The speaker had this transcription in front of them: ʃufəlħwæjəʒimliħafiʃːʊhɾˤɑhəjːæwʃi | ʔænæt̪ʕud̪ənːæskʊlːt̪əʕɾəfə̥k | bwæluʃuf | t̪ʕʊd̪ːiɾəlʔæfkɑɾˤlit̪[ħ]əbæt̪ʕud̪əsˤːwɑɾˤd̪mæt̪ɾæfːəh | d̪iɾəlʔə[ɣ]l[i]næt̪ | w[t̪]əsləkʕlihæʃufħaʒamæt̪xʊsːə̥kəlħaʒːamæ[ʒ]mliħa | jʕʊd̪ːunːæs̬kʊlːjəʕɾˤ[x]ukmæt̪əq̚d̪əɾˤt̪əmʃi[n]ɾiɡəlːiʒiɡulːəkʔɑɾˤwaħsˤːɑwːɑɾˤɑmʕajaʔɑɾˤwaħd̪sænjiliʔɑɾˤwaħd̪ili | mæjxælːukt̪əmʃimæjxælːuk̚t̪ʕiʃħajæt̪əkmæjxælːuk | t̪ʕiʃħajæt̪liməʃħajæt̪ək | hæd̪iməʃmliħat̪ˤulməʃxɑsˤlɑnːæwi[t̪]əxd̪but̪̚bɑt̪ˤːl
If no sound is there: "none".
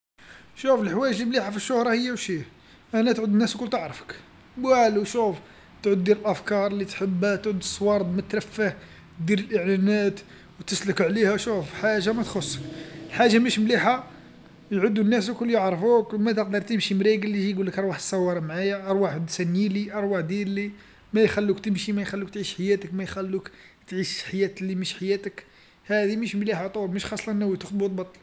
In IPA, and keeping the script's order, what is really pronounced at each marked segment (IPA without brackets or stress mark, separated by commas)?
ħ, ʕ, æ, t̪, ʃ, f, m, t̪